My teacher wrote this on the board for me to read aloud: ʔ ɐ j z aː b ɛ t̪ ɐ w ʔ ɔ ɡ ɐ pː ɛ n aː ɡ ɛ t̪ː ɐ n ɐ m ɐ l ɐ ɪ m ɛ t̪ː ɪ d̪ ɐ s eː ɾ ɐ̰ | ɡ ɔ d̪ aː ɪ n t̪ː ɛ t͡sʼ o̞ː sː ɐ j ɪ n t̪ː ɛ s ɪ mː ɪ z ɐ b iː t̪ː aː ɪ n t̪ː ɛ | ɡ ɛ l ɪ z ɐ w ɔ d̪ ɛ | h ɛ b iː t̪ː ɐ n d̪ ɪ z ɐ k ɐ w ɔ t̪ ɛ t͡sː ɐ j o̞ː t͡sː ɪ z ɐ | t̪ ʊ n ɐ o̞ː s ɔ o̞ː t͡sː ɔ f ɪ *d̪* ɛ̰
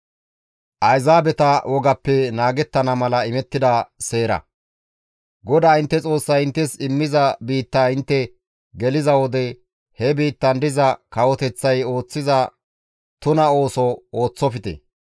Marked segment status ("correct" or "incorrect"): incorrect